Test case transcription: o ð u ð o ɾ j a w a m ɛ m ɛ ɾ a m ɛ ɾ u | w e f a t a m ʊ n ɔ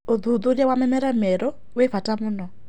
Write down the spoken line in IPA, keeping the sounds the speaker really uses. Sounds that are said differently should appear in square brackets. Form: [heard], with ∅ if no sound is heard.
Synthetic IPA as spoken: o ð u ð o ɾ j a w a m ɛ m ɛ ɾ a m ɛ ɾ [ɔ] | w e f a t a m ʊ n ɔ